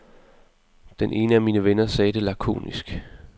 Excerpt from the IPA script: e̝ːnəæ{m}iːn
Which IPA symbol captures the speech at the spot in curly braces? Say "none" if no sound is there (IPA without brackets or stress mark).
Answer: m